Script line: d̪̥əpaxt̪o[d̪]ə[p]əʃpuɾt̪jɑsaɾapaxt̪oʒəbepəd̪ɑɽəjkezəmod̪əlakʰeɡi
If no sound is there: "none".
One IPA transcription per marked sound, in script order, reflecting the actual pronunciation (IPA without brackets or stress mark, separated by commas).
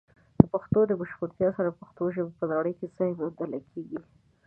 d̪, b